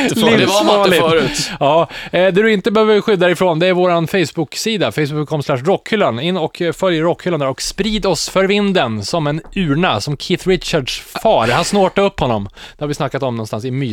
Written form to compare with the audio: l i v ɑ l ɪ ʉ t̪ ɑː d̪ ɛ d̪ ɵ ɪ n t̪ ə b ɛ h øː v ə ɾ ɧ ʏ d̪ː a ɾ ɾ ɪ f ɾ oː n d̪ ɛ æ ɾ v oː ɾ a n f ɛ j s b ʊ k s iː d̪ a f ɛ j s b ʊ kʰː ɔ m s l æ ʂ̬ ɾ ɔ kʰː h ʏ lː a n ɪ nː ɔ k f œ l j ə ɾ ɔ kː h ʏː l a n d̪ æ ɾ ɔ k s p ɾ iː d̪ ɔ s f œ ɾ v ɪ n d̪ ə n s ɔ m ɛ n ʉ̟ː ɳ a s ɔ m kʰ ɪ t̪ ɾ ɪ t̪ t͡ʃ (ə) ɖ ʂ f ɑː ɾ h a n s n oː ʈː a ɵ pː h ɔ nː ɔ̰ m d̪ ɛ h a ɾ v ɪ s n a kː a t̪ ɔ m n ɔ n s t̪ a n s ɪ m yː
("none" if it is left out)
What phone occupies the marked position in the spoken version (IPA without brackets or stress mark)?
a